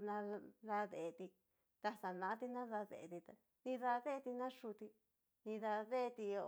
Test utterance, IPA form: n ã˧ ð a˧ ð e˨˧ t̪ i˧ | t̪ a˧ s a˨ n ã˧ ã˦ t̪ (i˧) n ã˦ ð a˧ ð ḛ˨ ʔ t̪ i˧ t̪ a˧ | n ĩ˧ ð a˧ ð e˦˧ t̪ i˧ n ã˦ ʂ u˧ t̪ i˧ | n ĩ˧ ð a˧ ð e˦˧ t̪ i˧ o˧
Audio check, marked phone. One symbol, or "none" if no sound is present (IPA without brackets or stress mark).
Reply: i˧